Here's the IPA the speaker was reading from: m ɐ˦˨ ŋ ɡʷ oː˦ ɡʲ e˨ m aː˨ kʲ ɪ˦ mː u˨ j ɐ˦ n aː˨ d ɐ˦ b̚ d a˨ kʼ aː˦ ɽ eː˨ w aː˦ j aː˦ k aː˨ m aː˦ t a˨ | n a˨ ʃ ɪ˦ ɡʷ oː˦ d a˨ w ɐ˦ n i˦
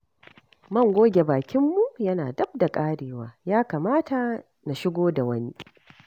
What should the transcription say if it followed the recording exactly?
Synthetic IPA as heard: m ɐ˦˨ ŋ ɡʷ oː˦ ɡʲ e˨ b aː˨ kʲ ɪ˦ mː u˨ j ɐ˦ n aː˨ d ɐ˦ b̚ d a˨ kʼ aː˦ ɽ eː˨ w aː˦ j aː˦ k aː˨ m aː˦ t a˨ | n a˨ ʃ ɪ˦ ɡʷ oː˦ d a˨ w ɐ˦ n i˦